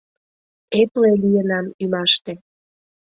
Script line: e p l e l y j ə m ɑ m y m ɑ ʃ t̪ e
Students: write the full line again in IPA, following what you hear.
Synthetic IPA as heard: e p l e l i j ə n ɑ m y m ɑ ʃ t̪ e